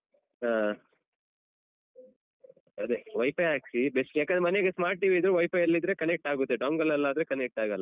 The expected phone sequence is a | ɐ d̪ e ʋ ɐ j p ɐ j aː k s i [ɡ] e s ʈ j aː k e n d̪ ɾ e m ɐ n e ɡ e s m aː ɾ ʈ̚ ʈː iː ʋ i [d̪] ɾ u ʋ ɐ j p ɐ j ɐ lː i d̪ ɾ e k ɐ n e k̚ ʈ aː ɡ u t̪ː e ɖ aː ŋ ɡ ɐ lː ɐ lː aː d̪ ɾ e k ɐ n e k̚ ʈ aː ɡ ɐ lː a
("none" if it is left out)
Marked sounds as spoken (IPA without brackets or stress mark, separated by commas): b, d̪